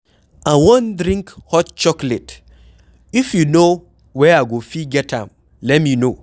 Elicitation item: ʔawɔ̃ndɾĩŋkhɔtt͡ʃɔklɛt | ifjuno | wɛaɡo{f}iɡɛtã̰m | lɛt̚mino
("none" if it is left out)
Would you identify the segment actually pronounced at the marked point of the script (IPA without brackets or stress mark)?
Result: f